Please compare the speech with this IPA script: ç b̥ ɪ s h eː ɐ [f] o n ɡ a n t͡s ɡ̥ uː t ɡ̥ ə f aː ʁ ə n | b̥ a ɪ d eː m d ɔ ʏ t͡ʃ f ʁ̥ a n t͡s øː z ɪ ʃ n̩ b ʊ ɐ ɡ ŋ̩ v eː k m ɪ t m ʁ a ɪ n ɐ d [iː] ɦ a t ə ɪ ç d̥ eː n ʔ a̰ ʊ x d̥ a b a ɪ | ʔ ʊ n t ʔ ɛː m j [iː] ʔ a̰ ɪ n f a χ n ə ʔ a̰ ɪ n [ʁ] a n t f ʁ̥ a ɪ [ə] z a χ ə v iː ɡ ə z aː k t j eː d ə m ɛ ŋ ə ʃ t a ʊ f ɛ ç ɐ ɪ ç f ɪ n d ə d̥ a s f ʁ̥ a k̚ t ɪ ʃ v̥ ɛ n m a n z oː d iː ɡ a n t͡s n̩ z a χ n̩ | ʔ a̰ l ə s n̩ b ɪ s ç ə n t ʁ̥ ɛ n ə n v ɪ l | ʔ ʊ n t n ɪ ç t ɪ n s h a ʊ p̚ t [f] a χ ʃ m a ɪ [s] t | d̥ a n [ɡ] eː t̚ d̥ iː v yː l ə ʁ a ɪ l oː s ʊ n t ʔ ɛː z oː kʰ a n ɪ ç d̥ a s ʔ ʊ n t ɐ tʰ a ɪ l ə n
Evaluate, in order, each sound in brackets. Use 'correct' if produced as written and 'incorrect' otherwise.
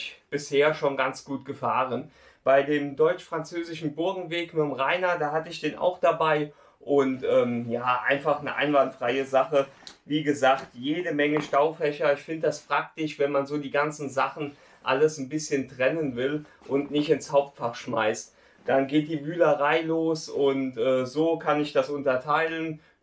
incorrect: ʃ, incorrect: aː, incorrect: aː, incorrect: v, correct, correct, correct, correct

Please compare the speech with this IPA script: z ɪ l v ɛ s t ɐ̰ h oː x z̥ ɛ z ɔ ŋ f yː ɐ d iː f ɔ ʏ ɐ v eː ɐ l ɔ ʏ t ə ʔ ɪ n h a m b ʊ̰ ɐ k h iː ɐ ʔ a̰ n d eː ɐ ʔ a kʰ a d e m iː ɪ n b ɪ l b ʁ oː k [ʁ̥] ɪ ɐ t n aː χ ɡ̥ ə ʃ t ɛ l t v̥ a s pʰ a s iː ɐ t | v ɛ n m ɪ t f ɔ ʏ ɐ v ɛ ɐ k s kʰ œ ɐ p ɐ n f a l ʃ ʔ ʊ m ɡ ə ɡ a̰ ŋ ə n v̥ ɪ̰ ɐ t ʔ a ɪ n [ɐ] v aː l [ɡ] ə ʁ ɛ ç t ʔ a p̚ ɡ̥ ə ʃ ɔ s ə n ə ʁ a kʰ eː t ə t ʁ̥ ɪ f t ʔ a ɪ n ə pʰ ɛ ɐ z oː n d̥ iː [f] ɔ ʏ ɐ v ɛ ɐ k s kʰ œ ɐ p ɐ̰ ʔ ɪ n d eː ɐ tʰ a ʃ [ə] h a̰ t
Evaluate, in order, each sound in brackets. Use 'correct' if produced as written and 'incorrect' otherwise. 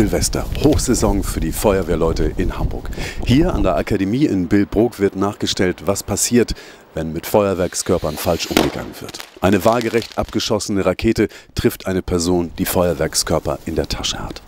incorrect: v̥, incorrect: ə, correct, correct, correct

